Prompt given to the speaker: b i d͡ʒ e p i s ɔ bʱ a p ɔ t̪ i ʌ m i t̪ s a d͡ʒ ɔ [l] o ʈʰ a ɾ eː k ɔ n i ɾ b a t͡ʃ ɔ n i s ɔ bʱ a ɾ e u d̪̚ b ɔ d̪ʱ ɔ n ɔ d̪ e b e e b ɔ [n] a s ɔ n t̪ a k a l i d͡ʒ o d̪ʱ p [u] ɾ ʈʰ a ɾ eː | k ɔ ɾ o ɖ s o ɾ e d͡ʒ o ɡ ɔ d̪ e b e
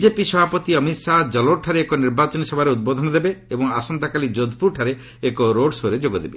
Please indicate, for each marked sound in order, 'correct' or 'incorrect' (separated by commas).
correct, incorrect, correct